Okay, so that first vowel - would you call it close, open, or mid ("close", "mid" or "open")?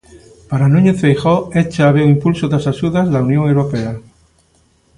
open